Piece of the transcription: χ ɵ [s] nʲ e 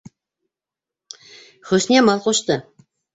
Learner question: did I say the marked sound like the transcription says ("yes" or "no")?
yes